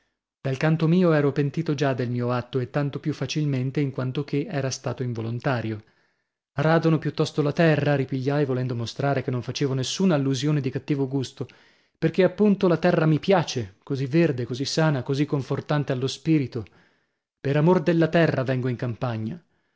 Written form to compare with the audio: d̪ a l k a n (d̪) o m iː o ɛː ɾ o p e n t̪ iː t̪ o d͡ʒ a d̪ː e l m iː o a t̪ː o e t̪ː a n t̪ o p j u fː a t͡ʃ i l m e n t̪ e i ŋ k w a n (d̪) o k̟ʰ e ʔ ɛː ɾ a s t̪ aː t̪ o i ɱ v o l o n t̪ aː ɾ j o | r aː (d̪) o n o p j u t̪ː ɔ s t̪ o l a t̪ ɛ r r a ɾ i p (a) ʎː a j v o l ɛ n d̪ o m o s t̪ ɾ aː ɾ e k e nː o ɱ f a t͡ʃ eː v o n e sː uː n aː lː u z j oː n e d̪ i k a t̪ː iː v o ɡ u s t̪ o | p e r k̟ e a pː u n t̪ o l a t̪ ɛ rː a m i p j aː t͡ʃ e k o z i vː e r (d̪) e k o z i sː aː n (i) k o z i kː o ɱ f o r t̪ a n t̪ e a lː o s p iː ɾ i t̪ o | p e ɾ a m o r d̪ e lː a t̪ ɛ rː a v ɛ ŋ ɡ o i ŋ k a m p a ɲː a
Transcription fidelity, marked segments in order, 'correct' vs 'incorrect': incorrect: t̪, incorrect: t̪, correct, incorrect: i, correct, incorrect: a

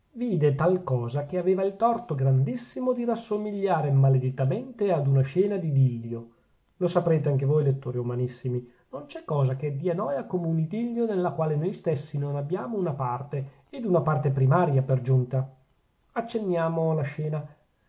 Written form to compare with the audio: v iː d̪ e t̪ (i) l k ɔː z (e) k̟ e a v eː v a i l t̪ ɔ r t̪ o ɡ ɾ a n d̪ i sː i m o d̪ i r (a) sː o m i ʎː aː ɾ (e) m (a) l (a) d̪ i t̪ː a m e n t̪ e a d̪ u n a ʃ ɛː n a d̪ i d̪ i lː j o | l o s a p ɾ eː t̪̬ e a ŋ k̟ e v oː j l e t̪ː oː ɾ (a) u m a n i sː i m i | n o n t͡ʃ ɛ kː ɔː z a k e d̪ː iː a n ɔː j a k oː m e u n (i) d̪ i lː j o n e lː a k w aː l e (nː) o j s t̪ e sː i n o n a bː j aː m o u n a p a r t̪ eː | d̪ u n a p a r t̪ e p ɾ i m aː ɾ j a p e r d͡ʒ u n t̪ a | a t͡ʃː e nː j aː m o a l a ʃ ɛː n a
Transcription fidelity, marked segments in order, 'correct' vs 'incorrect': incorrect: a, incorrect: a, correct, correct, correct, incorrect: e, incorrect: i, correct, incorrect: n

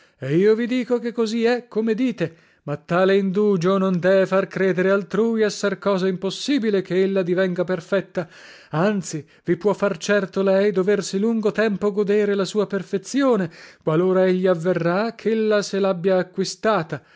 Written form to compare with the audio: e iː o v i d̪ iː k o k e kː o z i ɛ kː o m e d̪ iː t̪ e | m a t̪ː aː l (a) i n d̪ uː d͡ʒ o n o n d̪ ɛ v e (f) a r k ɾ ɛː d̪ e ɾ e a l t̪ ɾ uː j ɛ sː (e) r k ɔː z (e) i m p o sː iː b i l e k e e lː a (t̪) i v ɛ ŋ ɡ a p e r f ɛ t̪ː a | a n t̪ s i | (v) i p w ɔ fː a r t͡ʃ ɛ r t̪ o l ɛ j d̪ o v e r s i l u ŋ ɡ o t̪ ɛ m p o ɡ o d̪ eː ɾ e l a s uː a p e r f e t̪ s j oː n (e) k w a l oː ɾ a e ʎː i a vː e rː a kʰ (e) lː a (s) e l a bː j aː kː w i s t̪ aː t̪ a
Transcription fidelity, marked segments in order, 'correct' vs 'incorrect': incorrect: e, correct, incorrect: a, incorrect: a, incorrect: d̪, correct, correct, correct, correct

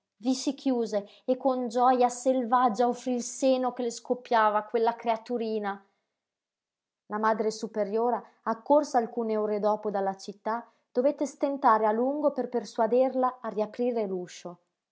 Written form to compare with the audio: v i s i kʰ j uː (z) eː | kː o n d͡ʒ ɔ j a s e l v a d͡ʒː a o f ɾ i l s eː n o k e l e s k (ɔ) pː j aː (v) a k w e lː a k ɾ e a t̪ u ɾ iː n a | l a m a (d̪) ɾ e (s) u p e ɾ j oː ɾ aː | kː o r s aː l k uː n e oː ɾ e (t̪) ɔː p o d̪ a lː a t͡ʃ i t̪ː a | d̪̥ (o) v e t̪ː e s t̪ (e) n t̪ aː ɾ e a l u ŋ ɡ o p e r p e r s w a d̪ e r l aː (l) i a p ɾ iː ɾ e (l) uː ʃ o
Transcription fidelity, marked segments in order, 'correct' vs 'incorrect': correct, incorrect: o, correct, correct, correct, incorrect: d̪, correct, correct, incorrect: r, correct

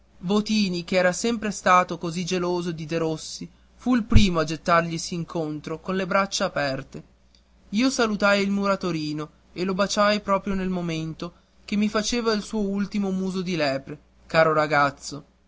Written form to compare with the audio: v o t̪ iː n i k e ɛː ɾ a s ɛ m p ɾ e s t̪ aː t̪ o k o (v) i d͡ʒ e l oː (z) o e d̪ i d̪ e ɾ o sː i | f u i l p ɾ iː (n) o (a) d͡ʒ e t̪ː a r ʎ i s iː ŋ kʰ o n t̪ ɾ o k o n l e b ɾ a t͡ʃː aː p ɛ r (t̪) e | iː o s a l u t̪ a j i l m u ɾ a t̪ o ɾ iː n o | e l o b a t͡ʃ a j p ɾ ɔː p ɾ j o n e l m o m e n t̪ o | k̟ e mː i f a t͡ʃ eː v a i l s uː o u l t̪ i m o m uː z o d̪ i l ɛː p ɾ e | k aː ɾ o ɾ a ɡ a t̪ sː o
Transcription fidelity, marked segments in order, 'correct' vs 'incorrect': incorrect: z, correct, incorrect: m, correct, correct

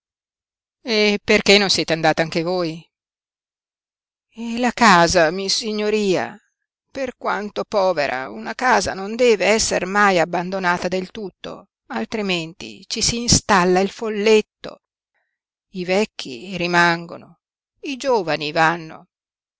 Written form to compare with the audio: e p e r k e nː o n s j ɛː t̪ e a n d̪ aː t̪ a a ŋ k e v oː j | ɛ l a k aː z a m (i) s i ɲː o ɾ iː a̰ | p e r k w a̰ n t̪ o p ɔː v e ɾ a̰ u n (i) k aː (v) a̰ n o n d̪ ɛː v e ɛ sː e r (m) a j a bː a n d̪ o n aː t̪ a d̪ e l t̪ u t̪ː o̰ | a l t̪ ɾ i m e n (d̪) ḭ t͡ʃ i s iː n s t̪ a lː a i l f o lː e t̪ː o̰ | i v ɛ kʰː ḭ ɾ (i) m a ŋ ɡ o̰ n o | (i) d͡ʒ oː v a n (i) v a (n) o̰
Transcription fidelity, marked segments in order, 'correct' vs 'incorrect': correct, incorrect: a, incorrect: z, correct, incorrect: t̪, correct, correct, correct, incorrect: nː

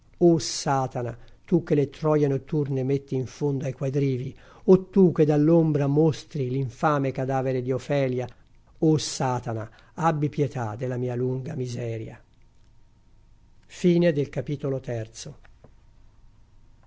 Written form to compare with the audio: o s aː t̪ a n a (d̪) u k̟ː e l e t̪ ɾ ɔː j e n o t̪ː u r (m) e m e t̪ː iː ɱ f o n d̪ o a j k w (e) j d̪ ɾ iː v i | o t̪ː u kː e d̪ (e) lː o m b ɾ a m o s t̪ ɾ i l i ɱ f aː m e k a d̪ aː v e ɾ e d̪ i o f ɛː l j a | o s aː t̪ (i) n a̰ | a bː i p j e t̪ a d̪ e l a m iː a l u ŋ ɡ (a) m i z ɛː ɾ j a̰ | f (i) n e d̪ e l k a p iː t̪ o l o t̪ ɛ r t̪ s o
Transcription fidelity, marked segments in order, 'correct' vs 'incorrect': incorrect: t̪, incorrect: n, incorrect: a, incorrect: a, incorrect: a, correct, incorrect: iː

